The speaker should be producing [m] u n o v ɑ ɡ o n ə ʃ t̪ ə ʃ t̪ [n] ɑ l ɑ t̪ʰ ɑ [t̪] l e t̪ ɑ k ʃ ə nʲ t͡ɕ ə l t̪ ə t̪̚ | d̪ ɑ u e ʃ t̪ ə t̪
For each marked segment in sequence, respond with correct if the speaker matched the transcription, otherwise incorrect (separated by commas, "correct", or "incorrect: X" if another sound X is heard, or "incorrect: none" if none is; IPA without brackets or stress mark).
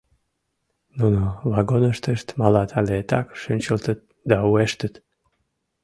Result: incorrect: n, incorrect: m, incorrect: none